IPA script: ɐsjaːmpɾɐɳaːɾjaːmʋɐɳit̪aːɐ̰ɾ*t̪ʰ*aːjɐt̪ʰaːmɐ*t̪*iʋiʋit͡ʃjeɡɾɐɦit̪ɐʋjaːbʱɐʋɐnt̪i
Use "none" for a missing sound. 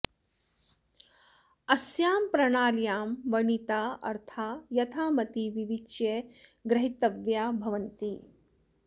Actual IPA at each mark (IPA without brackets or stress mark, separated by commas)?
t̪ʰ, t̪